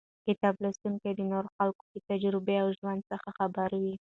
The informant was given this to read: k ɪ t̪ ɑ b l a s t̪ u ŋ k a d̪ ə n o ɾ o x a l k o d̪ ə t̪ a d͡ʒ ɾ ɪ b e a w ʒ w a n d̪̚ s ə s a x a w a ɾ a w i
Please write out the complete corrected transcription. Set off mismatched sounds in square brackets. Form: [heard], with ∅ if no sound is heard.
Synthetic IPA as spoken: k ɪ t̪ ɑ b l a s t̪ u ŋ k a d̪ ə n o ɾ o x a l k o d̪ ə t̪ a d͡ʒ ɾ ɪ b e a w ʒ w a n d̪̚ s ə [x] a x a [b] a ɾ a w i